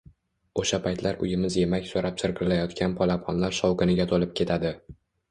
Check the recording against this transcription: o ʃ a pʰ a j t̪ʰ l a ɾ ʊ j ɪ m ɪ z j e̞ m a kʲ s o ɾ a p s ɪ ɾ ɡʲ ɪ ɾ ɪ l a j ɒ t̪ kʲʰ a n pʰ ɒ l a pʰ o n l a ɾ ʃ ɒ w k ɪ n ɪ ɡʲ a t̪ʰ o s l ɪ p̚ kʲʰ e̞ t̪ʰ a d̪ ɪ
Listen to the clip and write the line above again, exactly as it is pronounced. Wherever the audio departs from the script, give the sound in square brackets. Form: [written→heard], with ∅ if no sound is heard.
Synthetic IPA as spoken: o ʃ a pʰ a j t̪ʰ l a ɾ ʊ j ɪ m ɪ z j e̞ m a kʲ s o ɾ a p s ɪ ɾ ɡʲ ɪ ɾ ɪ l a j ɒ t̪ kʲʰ a n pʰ ɒ l a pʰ [o→ɒ] n l a ɾ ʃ ɒ w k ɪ n ɪ ɡʲ a t̪ʰ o [s→∅] l ɪ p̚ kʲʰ e̞ t̪ʰ a d̪ ɪ